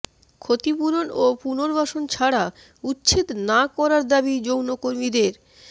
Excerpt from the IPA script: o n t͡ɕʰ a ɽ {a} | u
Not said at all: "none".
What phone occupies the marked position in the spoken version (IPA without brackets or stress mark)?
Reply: a